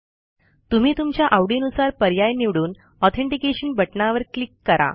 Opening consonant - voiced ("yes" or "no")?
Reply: no